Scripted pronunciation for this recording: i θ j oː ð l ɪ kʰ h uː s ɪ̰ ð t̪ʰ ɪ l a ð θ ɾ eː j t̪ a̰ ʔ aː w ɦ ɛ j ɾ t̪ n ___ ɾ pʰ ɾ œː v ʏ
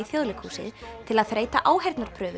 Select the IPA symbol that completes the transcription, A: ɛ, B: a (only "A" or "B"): B